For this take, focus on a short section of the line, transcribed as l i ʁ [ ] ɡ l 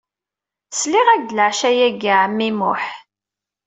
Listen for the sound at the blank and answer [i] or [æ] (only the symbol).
æ